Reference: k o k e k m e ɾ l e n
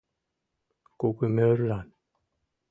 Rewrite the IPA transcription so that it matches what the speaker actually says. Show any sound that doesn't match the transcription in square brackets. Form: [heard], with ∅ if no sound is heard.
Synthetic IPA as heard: k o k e [∅] m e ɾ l [a] n